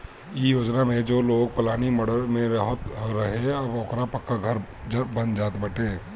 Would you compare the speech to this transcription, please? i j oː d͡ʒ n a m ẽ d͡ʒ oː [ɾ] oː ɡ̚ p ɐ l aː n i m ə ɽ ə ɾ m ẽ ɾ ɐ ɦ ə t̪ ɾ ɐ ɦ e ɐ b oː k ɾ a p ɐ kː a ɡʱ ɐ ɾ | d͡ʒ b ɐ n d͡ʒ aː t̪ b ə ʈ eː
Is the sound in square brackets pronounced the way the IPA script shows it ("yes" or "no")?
no